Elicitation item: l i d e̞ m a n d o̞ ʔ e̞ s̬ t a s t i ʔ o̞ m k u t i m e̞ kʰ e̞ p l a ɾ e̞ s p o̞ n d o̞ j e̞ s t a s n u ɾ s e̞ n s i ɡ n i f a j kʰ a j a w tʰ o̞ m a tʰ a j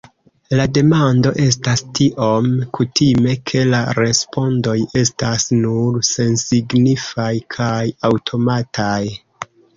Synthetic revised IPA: l a d e̞ m a n d o̞ ʔ e̞ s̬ t a s t i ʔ o̞ m k u t i m e̞ kʰ e̞ l a ɾ e̞ s p o̞ n d o̞ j e̞ s t a s n u ɾ s e̞ n s i ɡ n i f a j kʰ a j a w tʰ o̞ m a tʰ a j